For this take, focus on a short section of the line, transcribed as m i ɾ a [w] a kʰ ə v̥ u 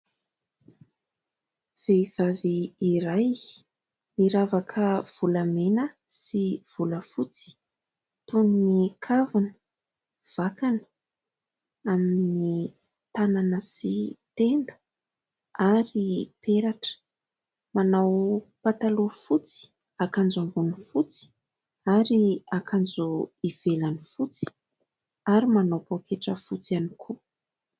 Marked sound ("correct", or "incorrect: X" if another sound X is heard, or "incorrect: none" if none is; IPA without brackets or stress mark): incorrect: v